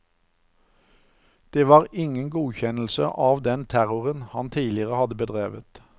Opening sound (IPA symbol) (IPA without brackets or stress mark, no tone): d̪̥